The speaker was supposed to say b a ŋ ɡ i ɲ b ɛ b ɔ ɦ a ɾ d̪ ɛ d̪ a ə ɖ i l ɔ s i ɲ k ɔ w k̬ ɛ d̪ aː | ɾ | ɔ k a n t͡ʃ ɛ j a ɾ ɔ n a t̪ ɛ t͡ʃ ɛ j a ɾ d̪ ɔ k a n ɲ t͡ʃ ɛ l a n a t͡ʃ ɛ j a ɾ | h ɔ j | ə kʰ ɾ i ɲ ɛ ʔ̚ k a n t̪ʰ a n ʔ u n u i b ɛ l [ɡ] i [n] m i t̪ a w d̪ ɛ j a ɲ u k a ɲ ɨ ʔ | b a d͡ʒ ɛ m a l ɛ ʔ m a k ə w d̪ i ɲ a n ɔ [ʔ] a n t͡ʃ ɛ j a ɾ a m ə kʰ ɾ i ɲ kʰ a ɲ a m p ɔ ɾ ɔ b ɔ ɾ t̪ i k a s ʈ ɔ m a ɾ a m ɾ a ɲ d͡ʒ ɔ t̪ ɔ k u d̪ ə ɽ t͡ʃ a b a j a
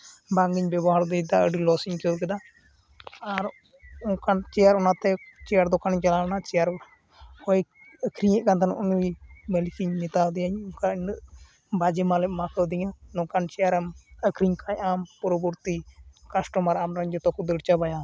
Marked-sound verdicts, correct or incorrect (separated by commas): incorrect, incorrect, incorrect